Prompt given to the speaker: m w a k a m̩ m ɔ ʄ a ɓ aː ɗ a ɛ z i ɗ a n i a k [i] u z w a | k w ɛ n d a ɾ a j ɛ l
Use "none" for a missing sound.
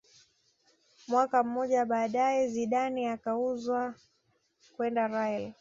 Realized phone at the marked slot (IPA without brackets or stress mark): a